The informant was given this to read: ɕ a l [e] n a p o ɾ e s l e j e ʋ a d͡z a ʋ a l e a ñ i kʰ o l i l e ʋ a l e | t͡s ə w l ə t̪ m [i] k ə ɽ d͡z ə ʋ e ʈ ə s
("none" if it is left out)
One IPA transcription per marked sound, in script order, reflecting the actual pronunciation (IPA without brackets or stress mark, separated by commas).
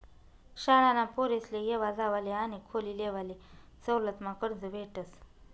a, a